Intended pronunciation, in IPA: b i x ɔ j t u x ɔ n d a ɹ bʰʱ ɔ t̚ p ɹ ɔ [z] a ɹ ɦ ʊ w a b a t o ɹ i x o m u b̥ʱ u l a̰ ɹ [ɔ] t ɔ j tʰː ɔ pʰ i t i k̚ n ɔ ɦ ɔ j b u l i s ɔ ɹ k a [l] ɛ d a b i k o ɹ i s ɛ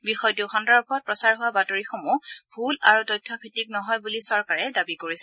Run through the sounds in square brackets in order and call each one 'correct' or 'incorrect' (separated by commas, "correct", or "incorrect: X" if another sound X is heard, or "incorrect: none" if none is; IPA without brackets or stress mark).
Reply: incorrect: s, incorrect: u, incorrect: ɹ